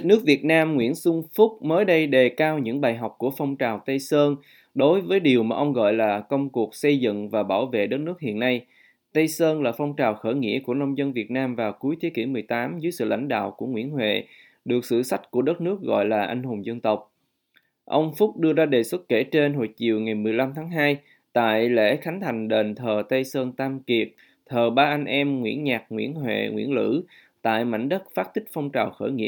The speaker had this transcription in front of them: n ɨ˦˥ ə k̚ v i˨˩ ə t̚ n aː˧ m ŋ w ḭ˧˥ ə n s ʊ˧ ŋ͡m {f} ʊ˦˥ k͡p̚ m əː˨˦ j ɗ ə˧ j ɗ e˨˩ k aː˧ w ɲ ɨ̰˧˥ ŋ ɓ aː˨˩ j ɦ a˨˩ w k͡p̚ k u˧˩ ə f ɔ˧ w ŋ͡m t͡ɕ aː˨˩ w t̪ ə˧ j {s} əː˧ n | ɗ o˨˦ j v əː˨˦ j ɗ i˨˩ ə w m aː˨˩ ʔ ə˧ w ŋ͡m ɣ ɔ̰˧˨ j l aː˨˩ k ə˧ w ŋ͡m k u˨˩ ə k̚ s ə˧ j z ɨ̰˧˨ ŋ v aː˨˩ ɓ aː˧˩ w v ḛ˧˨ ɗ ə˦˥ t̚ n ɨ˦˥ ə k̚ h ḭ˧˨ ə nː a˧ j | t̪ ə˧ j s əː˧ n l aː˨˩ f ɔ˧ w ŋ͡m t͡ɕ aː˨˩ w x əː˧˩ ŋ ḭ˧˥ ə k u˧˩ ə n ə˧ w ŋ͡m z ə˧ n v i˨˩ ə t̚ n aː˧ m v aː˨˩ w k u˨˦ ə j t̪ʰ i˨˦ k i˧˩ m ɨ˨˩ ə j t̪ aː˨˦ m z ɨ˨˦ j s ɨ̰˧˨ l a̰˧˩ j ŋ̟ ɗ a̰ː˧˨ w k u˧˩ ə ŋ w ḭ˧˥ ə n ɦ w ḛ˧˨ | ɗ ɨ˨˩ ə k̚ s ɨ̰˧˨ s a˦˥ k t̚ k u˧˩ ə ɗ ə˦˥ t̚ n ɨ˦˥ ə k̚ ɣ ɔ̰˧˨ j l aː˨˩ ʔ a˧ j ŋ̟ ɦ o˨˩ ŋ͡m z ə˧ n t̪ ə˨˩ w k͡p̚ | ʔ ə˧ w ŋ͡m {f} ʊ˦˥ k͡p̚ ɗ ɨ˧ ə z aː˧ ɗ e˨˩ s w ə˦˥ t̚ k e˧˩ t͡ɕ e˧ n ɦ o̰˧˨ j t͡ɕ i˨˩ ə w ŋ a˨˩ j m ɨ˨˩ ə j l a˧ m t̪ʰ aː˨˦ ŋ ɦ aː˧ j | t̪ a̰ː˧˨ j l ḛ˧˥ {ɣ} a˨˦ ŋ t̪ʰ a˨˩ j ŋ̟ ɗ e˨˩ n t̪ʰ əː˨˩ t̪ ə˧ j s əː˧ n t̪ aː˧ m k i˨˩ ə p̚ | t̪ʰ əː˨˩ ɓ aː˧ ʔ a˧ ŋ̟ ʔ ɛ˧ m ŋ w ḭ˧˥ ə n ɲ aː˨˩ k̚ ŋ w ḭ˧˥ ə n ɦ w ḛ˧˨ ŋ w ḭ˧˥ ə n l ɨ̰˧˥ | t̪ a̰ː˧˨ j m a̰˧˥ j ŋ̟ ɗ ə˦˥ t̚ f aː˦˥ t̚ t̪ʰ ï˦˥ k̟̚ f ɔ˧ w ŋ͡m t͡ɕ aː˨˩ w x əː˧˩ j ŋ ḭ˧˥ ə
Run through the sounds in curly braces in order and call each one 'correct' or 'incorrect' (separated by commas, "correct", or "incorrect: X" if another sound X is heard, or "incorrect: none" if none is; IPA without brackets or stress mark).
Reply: correct, correct, correct, incorrect: x